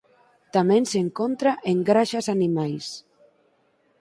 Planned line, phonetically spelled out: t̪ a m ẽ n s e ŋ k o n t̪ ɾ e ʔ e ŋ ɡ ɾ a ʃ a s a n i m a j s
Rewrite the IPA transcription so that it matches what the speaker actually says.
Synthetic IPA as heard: t̪ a m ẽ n s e ŋ k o n t̪ ɾ a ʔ e ŋ ɡ ɾ a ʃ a s a n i m a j s